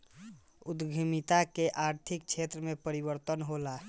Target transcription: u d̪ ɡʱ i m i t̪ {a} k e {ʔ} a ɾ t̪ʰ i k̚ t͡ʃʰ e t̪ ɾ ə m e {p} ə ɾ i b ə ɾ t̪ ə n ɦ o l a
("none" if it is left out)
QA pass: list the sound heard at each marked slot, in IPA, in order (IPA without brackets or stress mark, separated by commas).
a, ʔ, p